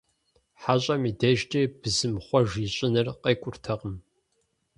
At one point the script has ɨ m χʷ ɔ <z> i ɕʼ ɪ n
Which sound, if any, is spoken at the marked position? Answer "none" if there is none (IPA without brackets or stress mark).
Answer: ʒ